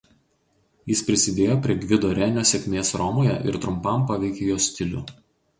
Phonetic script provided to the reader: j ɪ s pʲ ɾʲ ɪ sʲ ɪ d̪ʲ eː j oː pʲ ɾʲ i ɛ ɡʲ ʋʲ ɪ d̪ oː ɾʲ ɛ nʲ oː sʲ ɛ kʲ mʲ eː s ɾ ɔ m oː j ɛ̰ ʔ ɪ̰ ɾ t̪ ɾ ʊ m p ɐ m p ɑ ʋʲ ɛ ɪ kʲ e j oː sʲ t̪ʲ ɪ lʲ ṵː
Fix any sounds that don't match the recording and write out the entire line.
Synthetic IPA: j ɪ s pʲ ɾʲ ɪ sʲ ɪ d̪ʲ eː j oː pʲ ɾʲ i ɛ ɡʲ ʋʲ ɪ d̪ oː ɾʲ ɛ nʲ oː sʲ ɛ kʲ mʲ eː s ɾ ɔ m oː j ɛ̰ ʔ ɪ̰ ɾ t̪ ɾ ʊ m p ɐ m p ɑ ʋʲ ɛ ɪ kʲ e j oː sʲ t̪ʲ ɪ lʲ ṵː